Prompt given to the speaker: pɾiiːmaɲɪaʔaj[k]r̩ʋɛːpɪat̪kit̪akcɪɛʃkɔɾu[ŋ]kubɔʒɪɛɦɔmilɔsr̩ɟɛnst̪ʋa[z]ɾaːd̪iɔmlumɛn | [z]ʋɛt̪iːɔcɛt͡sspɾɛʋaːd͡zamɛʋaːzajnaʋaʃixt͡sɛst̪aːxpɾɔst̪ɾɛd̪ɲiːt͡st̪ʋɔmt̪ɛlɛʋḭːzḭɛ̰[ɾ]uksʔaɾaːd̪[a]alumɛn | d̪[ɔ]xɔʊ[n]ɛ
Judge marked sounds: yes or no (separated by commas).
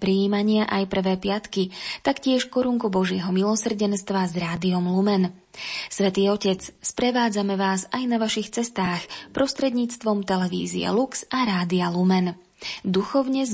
no, yes, yes, no, no, no, no, no